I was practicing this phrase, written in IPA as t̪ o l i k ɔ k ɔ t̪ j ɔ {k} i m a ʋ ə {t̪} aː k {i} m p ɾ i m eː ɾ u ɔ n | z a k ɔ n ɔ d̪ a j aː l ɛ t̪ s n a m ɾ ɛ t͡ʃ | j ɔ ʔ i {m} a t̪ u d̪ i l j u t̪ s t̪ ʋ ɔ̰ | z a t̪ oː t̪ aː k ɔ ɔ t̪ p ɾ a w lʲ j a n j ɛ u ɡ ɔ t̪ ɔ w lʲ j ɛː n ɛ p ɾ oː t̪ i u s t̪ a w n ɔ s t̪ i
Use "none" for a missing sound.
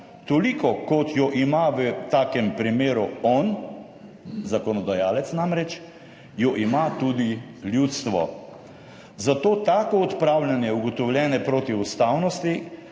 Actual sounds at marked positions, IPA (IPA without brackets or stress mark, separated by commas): ʔ, t̪, ɛ, m